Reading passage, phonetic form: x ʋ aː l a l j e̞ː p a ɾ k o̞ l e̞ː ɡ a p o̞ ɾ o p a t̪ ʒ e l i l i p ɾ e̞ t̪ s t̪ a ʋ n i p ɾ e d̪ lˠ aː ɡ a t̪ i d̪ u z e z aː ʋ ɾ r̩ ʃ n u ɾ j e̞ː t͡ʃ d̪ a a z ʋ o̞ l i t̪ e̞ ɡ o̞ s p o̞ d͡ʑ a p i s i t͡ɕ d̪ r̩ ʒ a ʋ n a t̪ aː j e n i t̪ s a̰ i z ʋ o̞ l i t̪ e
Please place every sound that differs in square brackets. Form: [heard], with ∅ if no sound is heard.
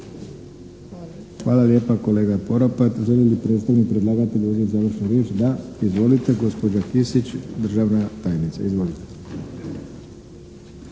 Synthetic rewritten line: x ʋ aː l a l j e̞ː p a [∅] k o̞ l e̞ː ɡ a p o̞ ɾ o p a t̪ ʒ e l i l i p ɾ e̞ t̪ s t̪ a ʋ n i p ɾ e d̪ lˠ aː ɡ a t̪ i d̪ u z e z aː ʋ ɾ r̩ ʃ n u ɾ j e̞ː t͡ʃ d̪ a [i] z ʋ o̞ l i t̪ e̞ ɡ o̞ s p o̞ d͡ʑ a [k] i s i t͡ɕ d̪ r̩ ʒ a ʋ n a t̪ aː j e n i t̪ s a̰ i z ʋ o̞ l i t̪ e